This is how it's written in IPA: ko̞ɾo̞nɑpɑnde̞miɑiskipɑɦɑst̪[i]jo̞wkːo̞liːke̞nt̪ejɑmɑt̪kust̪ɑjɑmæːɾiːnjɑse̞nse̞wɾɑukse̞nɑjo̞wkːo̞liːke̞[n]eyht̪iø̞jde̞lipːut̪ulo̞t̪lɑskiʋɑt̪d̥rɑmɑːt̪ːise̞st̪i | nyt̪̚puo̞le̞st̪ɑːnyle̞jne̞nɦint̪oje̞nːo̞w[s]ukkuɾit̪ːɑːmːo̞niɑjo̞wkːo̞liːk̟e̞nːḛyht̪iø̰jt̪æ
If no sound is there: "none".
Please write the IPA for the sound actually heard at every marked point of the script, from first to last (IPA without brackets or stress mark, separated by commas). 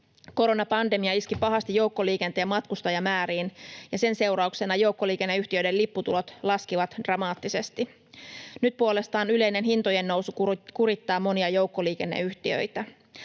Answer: i, nː, s